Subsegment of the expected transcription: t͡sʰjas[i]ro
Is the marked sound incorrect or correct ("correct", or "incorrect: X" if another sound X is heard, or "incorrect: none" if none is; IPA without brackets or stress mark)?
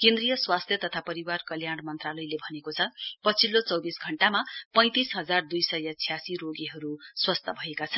correct